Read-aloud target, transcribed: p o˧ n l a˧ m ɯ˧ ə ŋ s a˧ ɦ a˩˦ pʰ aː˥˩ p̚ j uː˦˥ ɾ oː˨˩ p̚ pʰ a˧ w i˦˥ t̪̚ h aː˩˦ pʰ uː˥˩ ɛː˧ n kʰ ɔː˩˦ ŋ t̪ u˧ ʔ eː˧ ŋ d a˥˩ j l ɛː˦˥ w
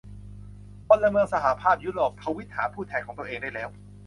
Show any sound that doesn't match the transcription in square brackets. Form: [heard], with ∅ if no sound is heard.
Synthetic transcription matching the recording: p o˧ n l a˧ m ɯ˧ ə ŋ s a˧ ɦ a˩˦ pʰ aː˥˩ p̚ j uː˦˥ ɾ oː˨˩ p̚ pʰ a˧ w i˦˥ t̪̚ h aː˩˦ pʰ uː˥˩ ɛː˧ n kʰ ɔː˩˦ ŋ t̪ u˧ ʔ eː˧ ŋ d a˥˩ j l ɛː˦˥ w